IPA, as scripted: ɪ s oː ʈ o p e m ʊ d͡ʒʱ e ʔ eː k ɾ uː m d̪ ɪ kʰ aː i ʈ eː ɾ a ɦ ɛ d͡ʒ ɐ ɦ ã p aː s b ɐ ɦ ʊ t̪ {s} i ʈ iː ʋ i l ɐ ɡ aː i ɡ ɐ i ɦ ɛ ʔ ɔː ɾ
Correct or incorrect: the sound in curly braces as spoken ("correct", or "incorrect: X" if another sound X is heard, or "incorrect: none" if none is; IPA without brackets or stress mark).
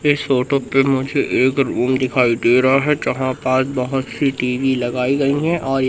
correct